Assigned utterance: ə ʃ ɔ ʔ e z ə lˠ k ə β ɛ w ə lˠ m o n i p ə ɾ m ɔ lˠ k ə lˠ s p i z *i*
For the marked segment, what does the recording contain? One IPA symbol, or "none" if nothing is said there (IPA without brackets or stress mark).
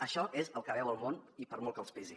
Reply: i